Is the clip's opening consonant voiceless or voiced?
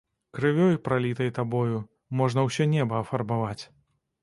voiceless